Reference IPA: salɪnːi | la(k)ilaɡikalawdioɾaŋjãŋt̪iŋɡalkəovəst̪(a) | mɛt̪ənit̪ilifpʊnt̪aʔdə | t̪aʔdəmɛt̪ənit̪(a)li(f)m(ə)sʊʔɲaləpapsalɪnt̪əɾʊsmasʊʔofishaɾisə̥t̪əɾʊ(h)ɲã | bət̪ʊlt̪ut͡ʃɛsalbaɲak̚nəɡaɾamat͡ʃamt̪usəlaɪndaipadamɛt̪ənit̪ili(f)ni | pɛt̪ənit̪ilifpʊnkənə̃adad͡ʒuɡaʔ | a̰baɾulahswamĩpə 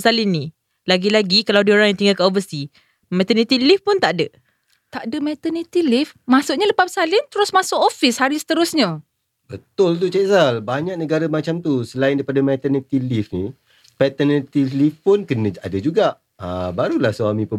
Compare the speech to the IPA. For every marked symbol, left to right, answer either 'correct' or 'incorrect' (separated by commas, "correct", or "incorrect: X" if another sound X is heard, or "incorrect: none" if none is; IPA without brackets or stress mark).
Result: incorrect: ɡ, incorrect: i, incorrect: i, correct, incorrect: a, incorrect: s, correct